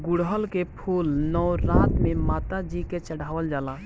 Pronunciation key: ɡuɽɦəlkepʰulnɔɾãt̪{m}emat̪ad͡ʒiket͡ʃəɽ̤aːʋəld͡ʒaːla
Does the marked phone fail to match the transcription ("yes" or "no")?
no